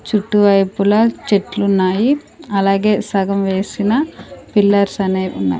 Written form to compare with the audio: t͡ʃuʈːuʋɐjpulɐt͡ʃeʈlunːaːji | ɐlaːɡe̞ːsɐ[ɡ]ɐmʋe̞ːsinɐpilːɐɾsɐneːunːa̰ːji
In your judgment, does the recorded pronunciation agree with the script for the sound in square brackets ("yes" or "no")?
yes